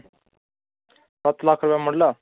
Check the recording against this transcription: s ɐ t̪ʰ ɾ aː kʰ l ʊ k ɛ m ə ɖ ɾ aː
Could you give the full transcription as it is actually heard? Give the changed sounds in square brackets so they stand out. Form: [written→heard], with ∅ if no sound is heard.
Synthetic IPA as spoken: s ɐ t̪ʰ [ɾ→l] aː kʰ [l→ɾ] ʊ [k→p] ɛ m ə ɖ [ɾ→l] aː